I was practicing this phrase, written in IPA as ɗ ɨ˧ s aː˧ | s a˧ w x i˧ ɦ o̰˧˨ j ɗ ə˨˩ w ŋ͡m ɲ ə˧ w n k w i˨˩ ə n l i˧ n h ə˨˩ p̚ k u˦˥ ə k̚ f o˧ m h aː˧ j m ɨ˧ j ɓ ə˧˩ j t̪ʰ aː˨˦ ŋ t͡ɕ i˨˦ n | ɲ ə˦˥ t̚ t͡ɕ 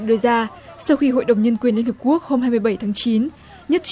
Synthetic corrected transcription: ɗ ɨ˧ z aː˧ | s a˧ w x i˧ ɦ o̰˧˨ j ɗ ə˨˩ w ŋ͡m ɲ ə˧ n k w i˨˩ ə n l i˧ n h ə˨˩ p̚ k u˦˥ ə k̚ h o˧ m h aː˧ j m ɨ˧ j ɓ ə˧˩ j t̪ʰ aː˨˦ ŋ t͡ɕ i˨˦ n | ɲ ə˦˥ t̚ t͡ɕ